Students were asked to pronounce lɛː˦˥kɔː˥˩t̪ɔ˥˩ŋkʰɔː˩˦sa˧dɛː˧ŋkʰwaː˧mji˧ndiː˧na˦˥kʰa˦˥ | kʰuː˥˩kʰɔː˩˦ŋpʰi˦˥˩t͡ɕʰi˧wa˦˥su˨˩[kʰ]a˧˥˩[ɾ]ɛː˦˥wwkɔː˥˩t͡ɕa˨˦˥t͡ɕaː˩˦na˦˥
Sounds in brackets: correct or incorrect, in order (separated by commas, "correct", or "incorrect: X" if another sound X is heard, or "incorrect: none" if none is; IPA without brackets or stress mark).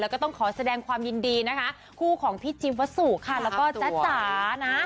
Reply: correct, incorrect: l